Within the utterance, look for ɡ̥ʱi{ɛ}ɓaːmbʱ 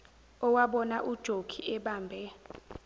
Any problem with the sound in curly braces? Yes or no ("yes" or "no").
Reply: no